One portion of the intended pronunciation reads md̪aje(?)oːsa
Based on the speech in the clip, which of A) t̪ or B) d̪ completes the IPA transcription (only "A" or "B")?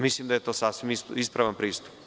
A